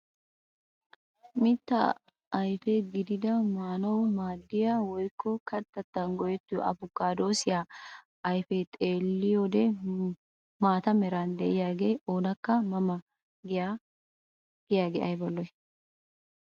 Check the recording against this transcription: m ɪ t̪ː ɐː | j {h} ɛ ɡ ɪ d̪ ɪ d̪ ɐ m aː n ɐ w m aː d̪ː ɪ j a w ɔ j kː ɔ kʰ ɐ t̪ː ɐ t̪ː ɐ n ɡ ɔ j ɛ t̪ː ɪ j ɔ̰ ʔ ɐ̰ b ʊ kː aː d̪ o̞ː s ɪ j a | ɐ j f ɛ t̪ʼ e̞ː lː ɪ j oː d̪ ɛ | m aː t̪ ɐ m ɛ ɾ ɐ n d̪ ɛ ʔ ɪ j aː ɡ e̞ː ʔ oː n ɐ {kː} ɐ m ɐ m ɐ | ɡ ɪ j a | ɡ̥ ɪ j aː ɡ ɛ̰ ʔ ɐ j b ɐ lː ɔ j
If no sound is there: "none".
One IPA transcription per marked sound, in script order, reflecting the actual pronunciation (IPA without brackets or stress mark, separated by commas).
f, kː